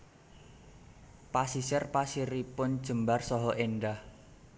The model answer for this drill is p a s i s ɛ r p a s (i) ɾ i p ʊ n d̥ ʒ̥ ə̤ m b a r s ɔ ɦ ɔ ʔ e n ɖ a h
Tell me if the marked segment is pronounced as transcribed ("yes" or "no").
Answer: yes